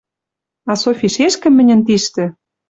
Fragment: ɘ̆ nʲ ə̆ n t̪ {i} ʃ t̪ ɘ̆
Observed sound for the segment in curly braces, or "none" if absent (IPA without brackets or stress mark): i